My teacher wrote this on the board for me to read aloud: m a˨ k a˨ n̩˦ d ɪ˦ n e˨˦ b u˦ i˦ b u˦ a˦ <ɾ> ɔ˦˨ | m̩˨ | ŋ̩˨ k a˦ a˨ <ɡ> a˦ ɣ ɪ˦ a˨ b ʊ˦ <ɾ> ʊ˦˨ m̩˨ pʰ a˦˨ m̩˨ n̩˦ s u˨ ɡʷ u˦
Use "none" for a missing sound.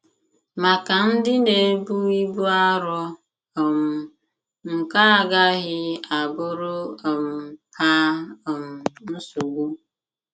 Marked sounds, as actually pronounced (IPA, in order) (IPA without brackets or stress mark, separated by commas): ɾ, ɡ, ɾ